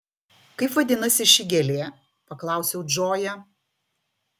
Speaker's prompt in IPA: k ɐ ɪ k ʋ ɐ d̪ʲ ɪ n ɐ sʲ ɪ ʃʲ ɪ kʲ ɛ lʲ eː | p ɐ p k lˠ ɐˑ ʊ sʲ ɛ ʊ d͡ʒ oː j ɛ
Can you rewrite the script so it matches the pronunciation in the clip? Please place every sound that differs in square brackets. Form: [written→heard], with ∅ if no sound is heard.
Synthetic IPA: k ɐ ɪ [k→p] ʋ ɐ d̪ʲ ɪ n ɐ sʲ ɪ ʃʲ ɪ [kʲ→ɡʲ] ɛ lʲ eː | p ɐ [p→∅] k lˠ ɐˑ ʊ sʲ ɛ ʊ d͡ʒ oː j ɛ